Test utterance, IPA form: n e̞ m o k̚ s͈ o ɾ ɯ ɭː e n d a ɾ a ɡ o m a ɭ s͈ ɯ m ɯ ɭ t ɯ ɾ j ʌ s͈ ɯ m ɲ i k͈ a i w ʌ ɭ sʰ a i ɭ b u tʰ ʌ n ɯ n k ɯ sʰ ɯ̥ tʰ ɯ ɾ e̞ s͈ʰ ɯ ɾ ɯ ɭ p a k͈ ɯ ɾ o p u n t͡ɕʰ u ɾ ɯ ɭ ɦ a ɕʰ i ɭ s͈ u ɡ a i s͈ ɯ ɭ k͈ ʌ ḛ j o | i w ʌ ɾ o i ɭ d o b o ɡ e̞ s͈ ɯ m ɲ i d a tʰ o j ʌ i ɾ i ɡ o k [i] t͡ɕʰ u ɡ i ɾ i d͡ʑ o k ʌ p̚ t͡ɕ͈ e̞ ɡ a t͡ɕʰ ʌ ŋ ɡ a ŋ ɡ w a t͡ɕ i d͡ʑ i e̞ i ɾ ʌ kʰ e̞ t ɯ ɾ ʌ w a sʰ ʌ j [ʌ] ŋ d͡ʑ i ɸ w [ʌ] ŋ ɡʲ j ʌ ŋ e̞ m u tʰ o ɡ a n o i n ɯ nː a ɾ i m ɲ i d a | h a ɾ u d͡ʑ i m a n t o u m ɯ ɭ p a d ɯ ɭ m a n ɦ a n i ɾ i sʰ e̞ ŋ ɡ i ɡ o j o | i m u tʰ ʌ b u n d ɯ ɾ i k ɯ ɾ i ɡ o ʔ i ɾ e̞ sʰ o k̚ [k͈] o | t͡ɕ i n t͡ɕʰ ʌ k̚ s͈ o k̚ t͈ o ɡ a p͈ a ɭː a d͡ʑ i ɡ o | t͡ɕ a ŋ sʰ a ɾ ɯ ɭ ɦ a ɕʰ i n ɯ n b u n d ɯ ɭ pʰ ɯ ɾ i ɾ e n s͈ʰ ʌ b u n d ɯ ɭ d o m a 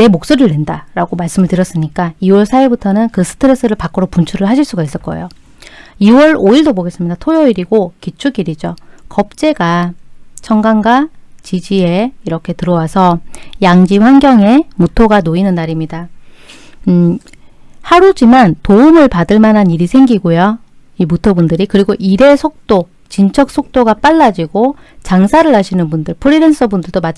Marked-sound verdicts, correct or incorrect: correct, incorrect: a, incorrect: a, incorrect: t͈

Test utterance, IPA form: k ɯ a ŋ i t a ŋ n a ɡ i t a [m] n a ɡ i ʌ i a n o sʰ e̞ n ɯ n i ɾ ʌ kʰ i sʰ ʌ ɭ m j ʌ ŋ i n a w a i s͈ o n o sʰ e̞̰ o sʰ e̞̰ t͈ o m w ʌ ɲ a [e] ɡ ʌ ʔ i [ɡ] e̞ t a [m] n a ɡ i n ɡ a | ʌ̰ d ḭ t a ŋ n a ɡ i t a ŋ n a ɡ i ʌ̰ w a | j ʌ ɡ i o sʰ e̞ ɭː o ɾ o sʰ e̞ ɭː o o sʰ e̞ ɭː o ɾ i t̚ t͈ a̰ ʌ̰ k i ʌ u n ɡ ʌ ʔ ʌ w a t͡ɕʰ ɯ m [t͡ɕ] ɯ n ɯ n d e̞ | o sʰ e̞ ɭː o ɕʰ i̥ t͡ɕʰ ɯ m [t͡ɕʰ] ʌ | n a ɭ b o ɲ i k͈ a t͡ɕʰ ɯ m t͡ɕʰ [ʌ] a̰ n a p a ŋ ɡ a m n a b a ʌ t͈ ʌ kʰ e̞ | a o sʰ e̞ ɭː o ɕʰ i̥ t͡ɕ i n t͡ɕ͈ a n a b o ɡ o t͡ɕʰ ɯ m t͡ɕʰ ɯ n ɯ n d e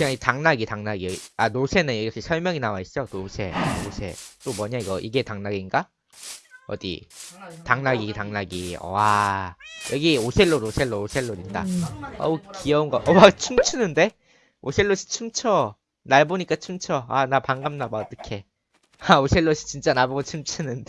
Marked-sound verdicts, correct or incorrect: incorrect: ŋ, incorrect: i, correct, incorrect: ŋ, incorrect: t͡ɕʰ, correct, correct

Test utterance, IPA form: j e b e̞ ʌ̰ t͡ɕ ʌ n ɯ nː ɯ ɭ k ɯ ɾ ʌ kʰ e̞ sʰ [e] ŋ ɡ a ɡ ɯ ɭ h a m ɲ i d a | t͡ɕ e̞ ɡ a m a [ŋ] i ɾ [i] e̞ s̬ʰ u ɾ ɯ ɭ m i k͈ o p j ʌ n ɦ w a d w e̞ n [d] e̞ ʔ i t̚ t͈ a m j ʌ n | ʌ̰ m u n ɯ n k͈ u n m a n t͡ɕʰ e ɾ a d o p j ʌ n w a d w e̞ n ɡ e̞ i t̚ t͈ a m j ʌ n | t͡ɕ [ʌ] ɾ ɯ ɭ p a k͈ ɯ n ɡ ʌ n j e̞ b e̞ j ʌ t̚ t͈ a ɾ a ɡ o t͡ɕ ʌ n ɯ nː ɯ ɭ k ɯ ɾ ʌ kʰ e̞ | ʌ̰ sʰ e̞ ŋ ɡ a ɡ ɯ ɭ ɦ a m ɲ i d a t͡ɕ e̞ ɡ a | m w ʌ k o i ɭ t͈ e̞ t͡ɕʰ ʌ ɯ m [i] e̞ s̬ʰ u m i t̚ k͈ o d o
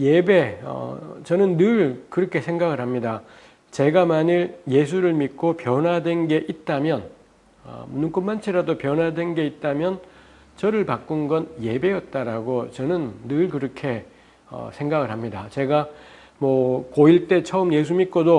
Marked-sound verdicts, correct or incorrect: correct, incorrect: ɲ, incorrect: j, incorrect: ɡ, correct, incorrect: j

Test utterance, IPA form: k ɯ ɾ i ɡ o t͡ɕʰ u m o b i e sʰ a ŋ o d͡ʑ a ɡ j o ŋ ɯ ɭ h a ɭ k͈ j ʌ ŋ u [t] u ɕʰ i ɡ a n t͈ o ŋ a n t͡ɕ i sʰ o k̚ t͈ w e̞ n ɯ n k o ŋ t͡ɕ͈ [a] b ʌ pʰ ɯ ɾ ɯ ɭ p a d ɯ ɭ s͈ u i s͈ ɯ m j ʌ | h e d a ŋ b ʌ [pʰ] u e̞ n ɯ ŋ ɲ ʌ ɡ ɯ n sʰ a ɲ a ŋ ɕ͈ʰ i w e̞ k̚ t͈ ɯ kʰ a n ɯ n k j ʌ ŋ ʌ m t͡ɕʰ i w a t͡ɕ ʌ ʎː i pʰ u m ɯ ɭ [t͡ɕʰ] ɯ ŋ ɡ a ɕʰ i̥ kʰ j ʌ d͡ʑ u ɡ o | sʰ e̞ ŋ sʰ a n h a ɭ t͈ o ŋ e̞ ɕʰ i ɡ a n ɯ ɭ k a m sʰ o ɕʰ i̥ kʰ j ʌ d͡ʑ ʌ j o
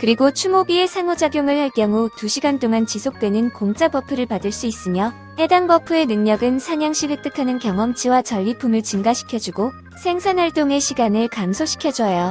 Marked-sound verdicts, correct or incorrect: correct, correct, correct, incorrect: t͡ɕ

